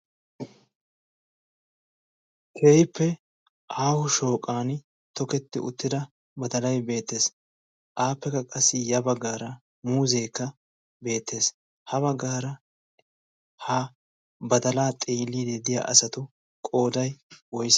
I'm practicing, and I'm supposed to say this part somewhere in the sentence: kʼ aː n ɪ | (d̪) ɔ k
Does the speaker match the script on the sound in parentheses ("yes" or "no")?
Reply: no